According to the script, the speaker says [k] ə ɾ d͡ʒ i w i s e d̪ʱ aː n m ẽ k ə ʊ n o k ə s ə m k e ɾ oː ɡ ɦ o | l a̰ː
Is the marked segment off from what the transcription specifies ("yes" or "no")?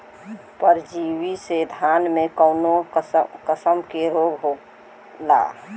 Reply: yes